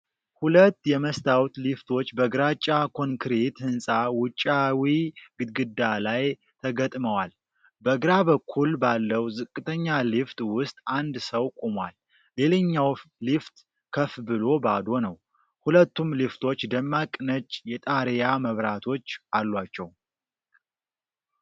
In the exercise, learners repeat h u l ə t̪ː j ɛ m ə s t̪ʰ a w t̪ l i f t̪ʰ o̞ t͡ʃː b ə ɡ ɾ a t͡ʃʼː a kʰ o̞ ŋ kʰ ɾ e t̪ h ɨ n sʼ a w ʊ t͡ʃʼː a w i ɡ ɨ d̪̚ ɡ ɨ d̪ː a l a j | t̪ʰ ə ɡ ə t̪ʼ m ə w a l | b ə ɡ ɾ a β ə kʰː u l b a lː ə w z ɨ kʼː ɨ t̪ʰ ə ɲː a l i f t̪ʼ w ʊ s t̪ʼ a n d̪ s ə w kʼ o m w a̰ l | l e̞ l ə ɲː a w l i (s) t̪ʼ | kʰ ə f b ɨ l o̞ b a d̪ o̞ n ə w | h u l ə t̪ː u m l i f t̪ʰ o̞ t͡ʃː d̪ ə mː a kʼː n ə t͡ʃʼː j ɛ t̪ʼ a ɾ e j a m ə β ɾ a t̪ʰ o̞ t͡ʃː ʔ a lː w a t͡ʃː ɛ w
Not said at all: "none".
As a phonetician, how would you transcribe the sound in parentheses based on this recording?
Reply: f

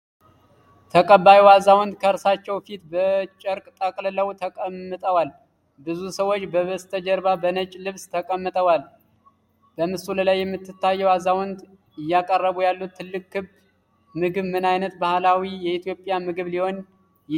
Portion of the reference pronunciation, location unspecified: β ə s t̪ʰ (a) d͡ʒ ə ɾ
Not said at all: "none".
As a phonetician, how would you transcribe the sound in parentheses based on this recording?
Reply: ə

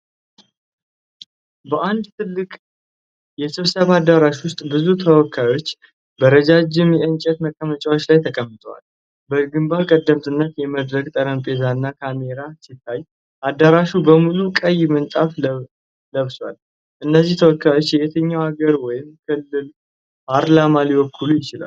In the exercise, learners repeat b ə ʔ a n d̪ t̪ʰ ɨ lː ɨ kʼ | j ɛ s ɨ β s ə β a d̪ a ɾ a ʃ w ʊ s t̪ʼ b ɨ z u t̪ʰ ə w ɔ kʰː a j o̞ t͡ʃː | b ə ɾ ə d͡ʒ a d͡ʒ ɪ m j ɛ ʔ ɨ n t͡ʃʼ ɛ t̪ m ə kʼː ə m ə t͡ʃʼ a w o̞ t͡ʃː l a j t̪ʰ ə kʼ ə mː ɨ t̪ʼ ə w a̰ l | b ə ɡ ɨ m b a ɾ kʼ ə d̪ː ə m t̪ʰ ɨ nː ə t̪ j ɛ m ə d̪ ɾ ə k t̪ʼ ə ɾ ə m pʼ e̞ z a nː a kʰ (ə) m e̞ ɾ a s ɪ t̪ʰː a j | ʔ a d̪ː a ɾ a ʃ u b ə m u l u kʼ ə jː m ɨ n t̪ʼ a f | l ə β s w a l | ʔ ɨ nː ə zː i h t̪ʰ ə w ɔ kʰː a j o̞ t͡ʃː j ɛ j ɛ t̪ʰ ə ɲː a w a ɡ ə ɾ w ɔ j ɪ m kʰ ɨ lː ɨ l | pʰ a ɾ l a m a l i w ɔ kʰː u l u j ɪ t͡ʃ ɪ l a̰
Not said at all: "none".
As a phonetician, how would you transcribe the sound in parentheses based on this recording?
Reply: a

